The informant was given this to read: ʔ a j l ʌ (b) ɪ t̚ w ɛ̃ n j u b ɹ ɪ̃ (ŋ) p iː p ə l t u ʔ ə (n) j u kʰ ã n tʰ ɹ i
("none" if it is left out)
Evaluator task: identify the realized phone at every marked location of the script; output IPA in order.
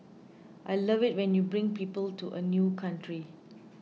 v, ŋ, n

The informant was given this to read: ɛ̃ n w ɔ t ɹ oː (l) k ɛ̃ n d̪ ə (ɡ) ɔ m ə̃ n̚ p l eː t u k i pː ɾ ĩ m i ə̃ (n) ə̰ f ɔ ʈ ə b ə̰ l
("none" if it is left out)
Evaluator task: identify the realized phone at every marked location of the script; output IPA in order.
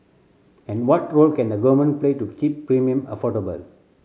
l, ɡ, m

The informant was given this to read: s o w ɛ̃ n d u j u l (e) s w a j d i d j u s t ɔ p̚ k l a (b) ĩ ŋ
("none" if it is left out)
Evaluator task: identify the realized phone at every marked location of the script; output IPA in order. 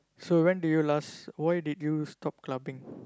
a, b

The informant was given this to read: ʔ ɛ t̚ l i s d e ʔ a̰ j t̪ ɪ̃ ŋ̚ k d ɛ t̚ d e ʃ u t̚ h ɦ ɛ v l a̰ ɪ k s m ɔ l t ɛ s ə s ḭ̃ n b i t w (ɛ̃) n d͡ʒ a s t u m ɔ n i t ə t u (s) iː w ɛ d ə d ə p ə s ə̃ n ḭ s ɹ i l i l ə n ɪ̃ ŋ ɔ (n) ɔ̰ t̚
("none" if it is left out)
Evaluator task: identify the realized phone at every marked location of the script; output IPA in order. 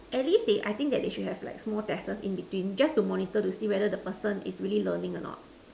ĩ, s, n

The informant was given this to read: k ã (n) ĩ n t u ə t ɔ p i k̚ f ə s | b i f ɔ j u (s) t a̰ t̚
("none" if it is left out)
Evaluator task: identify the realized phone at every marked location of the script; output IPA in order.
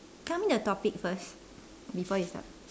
m, s

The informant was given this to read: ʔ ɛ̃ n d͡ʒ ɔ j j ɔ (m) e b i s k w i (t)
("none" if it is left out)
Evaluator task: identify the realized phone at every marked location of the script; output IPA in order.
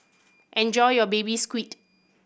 b, t

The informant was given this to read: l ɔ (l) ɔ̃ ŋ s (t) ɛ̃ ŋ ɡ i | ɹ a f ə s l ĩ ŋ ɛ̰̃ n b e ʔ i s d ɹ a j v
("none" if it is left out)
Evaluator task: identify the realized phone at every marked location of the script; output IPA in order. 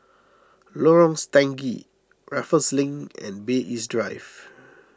ɹ, t

